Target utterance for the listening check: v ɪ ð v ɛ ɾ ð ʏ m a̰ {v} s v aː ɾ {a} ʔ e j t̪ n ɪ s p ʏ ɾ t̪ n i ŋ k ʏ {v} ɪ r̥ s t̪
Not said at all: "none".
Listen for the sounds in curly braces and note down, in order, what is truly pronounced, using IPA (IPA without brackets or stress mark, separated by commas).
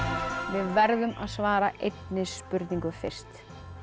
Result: ð, a, f